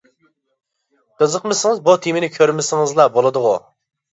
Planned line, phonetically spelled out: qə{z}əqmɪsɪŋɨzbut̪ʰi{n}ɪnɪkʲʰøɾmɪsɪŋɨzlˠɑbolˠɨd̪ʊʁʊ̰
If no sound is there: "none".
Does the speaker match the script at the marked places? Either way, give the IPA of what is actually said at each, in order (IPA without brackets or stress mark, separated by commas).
z, m